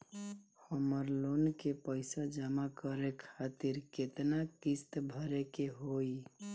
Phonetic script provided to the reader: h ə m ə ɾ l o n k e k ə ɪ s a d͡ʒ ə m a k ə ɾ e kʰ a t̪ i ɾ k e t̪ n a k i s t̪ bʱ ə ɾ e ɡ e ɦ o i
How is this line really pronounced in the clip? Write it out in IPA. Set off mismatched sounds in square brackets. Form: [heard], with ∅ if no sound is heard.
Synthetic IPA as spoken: h ə m ə ɾ l o n k e [p] ə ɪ s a d͡ʒ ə m a k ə ɾ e kʰ a t̪ i ɾ k e t̪ n a k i s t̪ bʱ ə ɾ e [k] e ɦ o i